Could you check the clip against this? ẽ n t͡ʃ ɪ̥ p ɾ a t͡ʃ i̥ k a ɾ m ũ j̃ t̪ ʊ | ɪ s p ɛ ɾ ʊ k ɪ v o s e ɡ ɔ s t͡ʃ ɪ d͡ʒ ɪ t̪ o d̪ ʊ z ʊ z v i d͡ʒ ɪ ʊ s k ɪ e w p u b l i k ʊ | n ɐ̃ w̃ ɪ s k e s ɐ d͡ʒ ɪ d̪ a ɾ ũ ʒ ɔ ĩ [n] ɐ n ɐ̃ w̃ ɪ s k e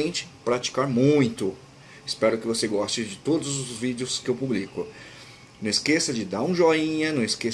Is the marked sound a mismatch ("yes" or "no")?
yes